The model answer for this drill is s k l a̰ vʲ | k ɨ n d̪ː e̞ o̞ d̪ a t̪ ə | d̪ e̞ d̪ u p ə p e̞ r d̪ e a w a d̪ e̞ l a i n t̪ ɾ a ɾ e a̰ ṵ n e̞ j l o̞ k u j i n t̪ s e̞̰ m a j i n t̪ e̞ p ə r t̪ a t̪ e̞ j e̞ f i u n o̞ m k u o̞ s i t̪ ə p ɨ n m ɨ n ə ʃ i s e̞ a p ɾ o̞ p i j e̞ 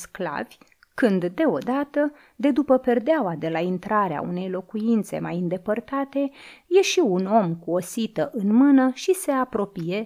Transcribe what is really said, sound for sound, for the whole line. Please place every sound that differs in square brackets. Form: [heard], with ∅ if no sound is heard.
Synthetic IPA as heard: s k l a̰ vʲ | k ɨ n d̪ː e̞ o̞ d̪ a t̪ ə | d̪ e̞ d̪ u p ə p e̞ r d̪ e a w a d̪ e̞ l a i n t̪ ɾ a ɾ e a̰ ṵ n e̞ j l o̞ k u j i n t̪ s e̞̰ m a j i n [d̪] e̞ p ə r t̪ a t̪ e̞ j e̞ [ʃ] i u n o̞ m k u o̞ s i t̪ ə [ʔ] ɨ n m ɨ n ə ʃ i s e̞ a p ɾ o̞ p i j e̞